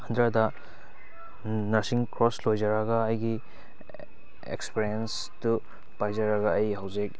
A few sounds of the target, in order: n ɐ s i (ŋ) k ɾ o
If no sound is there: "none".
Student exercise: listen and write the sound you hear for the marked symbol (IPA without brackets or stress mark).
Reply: ŋ